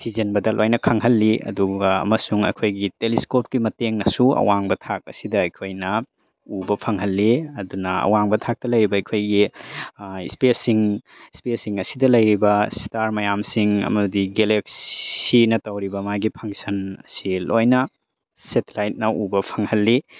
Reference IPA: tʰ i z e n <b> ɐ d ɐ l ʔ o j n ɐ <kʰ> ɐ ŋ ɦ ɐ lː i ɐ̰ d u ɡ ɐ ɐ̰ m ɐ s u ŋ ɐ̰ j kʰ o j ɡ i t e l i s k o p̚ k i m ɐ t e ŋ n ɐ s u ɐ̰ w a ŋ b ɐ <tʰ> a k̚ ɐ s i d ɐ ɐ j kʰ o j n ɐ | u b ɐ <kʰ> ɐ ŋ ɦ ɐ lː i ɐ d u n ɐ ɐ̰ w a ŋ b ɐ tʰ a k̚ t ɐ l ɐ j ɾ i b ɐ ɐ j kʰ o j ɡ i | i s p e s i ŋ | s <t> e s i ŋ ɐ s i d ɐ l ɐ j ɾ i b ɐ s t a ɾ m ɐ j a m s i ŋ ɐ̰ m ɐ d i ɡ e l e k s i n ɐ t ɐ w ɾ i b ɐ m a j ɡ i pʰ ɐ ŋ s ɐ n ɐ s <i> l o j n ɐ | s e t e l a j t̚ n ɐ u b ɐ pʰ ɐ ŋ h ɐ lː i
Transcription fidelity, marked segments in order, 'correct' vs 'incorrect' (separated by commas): correct, correct, correct, incorrect, incorrect, correct